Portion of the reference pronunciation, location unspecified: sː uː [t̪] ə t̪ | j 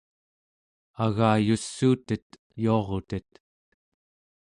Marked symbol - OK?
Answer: yes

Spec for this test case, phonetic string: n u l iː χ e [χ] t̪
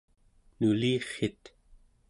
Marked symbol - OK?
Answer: no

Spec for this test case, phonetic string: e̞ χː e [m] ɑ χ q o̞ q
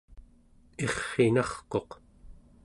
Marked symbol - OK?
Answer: no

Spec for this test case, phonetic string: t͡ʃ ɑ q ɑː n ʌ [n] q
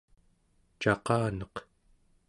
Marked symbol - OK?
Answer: no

